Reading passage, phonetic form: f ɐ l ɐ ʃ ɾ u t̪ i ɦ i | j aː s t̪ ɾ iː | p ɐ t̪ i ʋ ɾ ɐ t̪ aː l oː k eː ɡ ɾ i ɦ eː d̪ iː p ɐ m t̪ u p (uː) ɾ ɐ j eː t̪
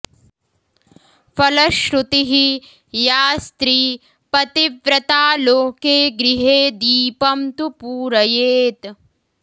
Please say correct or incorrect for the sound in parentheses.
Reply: correct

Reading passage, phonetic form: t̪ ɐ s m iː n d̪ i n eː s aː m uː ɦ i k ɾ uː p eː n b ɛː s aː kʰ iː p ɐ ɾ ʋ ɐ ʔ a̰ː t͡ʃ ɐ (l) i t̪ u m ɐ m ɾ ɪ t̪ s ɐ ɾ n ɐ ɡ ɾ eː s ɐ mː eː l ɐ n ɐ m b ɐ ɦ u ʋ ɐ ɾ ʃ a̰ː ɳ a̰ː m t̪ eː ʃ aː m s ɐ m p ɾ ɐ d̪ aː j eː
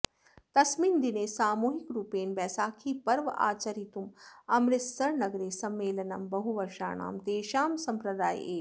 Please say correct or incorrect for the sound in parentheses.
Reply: incorrect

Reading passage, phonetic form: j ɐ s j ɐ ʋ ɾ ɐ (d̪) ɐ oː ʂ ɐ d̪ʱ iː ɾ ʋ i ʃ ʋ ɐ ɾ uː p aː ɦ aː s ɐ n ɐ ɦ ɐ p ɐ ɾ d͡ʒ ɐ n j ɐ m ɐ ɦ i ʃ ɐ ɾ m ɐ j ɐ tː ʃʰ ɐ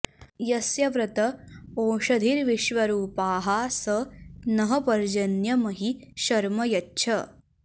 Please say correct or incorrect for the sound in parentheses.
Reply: incorrect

